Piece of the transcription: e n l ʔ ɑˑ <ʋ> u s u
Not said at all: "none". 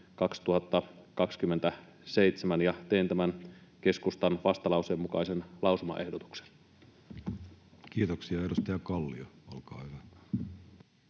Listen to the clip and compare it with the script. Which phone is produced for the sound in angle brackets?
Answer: none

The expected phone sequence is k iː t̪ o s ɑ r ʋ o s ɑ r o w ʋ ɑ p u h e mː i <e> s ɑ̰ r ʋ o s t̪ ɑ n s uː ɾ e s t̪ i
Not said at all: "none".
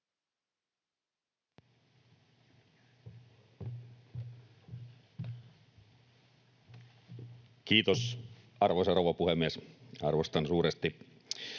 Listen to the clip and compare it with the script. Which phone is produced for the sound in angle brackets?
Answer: e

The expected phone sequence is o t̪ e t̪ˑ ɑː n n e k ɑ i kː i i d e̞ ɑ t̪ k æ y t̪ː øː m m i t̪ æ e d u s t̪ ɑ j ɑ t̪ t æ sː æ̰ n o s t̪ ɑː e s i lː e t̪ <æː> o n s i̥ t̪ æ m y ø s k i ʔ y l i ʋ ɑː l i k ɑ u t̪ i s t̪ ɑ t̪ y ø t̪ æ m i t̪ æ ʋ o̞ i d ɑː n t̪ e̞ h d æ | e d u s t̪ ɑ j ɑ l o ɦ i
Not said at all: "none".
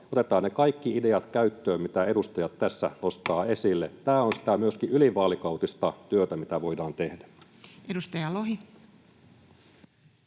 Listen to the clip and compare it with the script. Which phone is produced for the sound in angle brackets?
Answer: æː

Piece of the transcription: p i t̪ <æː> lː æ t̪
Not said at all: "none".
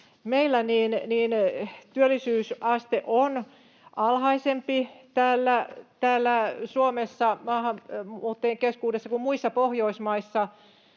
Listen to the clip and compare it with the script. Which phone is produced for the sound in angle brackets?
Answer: æː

